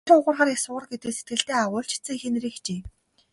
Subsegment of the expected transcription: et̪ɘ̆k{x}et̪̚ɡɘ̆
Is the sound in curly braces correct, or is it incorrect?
incorrect